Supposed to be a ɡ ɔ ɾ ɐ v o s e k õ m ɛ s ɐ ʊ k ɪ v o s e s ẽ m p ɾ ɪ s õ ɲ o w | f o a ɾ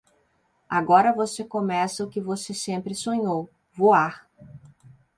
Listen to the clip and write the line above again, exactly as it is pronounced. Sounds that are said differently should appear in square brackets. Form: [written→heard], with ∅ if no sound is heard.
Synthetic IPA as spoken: a ɡ ɔ ɾ ɐ v o s e k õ m ɛ s ɐ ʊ k ɪ v o s e s ẽ m p ɾ ɪ s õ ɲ o w | [f→v] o a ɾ